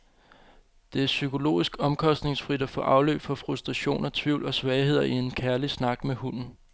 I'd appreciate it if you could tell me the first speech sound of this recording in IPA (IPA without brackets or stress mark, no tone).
d̥